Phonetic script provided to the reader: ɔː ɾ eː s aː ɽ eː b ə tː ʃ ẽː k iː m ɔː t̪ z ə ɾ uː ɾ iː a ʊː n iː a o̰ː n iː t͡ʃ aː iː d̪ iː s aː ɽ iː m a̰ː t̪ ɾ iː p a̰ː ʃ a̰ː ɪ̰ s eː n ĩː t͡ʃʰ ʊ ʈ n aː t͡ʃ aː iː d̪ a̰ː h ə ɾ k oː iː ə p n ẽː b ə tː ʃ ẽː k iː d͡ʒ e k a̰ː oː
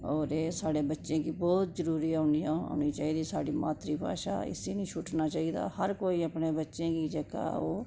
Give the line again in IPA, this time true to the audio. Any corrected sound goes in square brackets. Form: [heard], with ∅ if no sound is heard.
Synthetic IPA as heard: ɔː ɾ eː s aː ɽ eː b ə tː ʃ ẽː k iː [b] ɔː t̪ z ə ɾ uː ɾ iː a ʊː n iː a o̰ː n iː t͡ʃ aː iː d̪ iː s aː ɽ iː m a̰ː t̪ ɾ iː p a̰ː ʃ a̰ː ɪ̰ s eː n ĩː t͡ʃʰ ʊ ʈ n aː t͡ʃ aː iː d̪ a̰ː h ə ɾ k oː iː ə p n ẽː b ə tː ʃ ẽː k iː d͡ʒ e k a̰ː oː